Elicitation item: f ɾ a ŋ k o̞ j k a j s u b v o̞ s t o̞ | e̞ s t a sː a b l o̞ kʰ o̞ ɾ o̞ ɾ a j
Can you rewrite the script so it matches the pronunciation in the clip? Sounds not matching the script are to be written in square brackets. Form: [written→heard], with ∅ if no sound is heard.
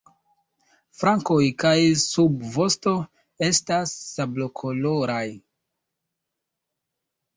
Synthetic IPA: f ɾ a ŋ k o̞ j k a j s u b v o̞ s t o̞ | e̞ s t a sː a b l o̞ kʰ o̞ [ɾ→l] o̞ ɾ a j